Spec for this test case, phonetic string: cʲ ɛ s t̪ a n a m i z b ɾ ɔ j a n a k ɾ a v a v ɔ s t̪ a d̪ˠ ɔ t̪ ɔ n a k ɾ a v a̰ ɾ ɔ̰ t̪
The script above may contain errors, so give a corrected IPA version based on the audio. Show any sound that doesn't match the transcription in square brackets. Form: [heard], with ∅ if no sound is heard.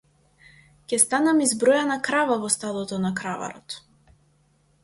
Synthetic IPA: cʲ ɛ s t̪ a n a m i z b ɾ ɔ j a n a k ɾ a v a v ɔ s t̪ a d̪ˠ ɔ t̪ ɔ n a k ɾ a v a̰ ɾ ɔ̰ t̪